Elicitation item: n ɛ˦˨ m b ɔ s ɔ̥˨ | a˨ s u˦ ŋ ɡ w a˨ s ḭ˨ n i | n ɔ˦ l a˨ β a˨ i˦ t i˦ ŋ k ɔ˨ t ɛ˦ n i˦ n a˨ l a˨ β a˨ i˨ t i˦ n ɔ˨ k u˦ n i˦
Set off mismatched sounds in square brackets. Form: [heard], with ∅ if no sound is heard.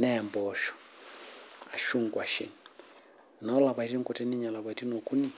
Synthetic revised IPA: n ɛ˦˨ m b ɔ [ʃ] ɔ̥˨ | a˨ [ʃ] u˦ ŋ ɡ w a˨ [ʃ] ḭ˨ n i | n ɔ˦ l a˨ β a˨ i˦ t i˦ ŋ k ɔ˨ t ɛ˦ n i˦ [ɲ] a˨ l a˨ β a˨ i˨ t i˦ n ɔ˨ k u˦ n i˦

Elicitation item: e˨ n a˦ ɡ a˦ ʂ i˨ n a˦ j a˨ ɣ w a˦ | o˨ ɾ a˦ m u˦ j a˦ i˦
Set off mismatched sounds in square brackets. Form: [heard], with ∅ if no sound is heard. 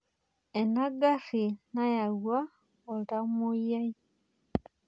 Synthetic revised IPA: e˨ n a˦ ɡ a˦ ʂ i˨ n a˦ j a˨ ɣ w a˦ | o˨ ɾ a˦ m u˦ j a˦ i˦

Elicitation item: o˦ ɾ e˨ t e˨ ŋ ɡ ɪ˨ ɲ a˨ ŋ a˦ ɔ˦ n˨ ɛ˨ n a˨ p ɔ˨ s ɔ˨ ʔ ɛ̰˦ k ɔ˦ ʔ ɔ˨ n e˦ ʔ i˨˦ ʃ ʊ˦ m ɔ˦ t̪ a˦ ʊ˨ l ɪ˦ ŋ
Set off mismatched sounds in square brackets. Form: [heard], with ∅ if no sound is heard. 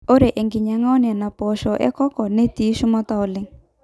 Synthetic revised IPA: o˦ ɾ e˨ [ʔ] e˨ ŋ ɡ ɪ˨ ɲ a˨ ŋ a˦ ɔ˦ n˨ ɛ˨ n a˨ p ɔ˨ [ʃ] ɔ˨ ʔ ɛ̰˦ k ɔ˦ [k] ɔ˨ n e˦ [t] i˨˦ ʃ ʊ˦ m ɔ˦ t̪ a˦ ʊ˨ l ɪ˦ ŋ

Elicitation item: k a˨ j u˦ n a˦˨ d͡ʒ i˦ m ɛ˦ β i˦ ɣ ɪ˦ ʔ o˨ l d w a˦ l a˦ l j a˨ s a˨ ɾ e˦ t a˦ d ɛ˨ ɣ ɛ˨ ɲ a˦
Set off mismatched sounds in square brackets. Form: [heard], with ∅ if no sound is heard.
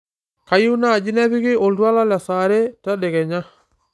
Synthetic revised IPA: k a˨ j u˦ n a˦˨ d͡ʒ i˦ [n] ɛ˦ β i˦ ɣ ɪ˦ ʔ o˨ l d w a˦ l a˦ l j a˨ s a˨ ɾ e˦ t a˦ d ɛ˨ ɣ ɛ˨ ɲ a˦

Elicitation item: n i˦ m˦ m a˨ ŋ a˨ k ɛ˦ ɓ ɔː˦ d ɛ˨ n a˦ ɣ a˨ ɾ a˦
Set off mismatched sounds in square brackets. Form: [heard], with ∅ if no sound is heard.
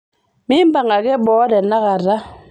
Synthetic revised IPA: [m] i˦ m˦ [b] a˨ ŋ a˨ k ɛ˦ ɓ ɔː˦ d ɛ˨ n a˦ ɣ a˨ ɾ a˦

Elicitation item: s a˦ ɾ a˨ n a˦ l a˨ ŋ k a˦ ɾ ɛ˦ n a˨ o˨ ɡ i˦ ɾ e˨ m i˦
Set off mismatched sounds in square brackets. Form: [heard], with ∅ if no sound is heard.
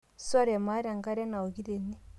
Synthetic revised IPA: s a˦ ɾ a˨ [m] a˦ [ɾ] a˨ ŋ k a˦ ɾ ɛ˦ n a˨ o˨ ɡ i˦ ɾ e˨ [n] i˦

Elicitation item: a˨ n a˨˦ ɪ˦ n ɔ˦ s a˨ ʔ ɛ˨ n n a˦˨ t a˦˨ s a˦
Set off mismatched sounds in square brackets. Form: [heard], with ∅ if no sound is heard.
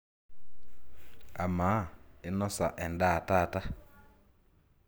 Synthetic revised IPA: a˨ [m] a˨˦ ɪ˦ n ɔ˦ s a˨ ʔ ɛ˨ n [d] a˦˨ t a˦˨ [t] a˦

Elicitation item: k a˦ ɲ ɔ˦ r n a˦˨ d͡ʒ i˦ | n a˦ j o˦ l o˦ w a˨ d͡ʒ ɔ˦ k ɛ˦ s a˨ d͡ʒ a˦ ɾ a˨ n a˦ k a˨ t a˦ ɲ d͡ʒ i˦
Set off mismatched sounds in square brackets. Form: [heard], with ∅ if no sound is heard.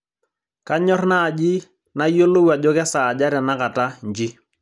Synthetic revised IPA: k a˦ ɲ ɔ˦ r n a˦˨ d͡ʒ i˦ | n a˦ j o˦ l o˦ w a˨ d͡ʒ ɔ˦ k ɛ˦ s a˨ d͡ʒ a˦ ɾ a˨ n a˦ k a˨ t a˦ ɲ d͡ʒ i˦

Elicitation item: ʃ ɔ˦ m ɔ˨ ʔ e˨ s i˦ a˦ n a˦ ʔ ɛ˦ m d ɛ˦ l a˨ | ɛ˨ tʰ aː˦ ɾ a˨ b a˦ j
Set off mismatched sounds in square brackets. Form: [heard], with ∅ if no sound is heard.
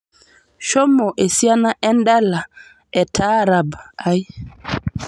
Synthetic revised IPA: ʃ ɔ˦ m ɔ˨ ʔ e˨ s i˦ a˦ n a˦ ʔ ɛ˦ [n] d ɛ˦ l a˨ | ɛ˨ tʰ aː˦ ɾ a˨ b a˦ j

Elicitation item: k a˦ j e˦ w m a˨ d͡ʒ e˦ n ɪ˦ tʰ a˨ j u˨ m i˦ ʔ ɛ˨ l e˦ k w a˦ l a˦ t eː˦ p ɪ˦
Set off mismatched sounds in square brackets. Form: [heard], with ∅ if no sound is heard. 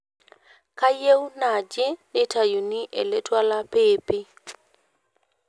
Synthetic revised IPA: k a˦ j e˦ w [n] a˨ d͡ʒ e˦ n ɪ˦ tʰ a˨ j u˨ [n] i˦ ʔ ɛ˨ l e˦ [t] w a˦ l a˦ [p] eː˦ p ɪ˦

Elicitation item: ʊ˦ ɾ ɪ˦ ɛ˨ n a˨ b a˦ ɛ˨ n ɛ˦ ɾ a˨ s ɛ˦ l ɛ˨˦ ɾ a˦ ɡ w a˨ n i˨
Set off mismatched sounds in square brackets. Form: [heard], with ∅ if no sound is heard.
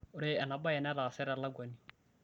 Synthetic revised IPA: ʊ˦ ɾ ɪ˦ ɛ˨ n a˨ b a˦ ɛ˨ n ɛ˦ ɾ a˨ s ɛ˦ [ɾ] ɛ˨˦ [l] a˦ ɡ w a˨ n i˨

